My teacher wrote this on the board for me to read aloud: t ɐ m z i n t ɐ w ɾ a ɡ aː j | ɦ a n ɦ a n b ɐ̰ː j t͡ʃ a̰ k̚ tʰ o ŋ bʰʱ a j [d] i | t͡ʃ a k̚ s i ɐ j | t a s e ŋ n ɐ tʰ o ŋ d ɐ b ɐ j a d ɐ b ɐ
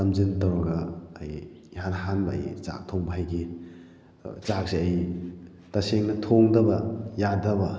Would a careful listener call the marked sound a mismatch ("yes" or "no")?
yes